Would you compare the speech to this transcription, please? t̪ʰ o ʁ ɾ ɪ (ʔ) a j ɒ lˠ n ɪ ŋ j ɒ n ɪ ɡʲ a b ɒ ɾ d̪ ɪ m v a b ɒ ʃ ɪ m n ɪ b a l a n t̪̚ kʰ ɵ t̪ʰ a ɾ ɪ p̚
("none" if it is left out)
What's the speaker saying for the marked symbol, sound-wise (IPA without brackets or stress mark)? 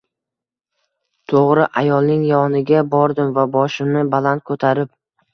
ʔ